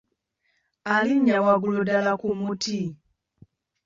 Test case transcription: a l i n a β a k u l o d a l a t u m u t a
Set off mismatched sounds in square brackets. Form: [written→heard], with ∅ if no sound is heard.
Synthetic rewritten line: a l i [n→ɲ] a [β→w] a [k→ɡ] u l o d a l a [t→k] u m u t [a→i]